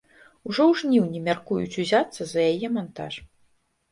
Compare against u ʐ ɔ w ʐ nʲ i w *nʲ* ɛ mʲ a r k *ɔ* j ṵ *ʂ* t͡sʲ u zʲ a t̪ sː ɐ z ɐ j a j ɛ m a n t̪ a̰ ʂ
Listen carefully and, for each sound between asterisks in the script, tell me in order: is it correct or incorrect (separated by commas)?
correct, incorrect, incorrect